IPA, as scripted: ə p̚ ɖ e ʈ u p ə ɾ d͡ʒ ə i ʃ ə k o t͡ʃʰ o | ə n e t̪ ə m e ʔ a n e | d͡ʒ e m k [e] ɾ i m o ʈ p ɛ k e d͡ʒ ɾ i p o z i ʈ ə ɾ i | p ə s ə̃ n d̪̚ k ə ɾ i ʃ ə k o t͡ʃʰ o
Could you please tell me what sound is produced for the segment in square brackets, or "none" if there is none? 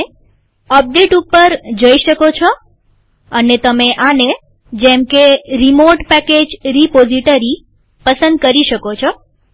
e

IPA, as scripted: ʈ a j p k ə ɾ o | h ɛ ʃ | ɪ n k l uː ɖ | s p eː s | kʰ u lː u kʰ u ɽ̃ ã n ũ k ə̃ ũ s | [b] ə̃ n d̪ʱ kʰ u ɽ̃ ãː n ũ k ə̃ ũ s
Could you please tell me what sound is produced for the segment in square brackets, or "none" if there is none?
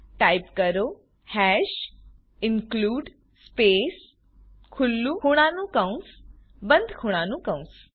b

